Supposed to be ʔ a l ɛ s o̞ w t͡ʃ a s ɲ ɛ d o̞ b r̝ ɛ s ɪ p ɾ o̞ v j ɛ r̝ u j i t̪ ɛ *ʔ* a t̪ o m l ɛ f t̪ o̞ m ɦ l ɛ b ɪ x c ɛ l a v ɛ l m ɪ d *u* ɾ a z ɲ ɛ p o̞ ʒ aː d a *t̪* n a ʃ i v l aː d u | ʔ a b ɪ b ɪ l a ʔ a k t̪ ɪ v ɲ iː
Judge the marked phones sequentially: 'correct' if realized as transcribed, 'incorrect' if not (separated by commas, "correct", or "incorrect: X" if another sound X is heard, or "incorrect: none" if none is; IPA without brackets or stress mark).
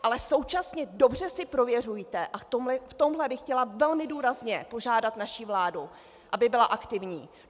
correct, incorrect: uː, correct